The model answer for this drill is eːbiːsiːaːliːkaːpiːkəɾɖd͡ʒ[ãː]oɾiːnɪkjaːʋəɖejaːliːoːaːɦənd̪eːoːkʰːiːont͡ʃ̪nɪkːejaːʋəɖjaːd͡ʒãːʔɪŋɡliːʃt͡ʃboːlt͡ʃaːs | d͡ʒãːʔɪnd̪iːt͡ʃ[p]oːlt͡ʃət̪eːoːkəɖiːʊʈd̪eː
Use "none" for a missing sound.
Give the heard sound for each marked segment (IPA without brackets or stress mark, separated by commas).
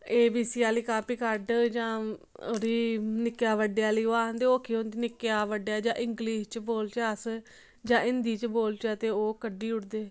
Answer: ãː, b